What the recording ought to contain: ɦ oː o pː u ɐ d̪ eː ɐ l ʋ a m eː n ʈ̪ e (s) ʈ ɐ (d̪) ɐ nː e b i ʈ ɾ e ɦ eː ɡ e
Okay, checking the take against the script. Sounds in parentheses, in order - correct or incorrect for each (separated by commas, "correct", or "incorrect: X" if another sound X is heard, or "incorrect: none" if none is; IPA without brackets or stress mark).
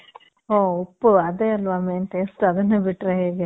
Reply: correct, correct